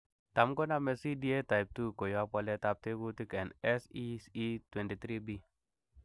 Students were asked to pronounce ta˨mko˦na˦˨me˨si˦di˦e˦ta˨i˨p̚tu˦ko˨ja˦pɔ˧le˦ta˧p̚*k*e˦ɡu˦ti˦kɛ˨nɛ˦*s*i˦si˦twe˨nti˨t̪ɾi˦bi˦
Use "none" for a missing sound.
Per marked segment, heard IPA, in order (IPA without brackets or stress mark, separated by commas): t, s